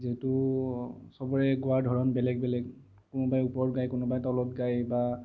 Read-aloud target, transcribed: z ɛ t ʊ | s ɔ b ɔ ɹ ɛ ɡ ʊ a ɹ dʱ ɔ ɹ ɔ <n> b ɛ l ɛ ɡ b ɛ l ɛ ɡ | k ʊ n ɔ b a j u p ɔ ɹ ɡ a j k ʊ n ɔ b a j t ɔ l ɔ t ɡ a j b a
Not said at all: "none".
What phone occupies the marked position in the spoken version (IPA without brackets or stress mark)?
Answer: n